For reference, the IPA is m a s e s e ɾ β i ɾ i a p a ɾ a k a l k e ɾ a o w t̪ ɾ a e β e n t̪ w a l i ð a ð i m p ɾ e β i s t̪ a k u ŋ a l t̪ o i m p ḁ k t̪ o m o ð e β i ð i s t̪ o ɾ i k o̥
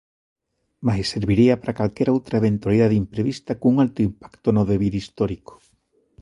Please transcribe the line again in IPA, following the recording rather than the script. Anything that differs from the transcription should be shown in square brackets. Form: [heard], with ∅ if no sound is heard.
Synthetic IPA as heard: m a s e s e ɾ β i ɾ i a p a ɾ a k a l k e ɾ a o w t̪ ɾ a e β e n t̪ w a l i ð a ð i m p ɾ e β i s t̪ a k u ŋ a l t̪ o i m p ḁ k t̪ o [n] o ð e β i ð i s t̪ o ɾ i k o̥